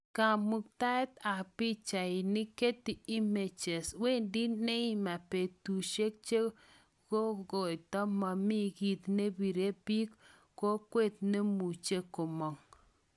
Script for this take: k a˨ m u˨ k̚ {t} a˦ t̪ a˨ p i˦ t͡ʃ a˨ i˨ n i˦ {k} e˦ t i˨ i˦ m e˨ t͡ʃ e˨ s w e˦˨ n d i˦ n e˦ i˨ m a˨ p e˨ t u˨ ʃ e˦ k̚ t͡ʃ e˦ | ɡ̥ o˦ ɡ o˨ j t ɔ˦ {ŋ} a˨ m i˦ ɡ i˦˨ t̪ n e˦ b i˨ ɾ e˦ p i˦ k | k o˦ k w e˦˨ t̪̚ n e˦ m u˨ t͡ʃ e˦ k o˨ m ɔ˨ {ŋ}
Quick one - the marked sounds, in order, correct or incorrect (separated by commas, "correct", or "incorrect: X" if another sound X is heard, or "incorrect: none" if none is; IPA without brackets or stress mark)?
correct, correct, incorrect: m, correct